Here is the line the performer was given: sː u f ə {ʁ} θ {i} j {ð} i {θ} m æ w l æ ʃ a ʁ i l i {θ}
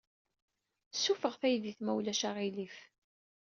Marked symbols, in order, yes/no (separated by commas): yes, no, yes, yes, no